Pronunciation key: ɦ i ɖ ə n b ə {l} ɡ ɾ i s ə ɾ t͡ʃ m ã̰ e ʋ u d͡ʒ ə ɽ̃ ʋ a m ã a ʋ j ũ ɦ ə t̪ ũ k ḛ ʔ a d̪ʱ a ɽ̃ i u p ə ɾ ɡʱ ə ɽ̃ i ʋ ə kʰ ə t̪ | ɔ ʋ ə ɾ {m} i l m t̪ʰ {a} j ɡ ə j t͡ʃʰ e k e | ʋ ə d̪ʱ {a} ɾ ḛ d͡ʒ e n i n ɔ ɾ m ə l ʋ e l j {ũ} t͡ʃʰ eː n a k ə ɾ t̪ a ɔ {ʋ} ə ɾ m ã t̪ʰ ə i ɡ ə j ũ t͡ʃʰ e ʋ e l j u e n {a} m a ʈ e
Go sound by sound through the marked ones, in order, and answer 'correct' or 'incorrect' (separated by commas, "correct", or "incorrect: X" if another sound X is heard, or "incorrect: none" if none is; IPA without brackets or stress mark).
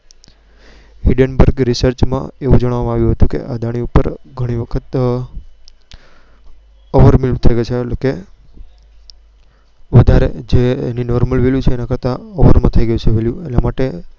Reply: incorrect: ɾ, correct, incorrect: ə, correct, incorrect: u, correct, correct